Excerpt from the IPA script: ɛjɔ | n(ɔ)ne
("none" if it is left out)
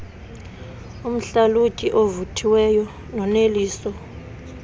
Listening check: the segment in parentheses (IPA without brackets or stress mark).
ɔ